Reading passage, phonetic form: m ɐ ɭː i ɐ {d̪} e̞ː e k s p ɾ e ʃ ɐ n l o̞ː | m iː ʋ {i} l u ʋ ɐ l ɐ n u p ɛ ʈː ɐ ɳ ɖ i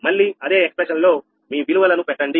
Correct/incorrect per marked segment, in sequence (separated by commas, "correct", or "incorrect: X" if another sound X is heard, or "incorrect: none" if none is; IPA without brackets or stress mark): correct, correct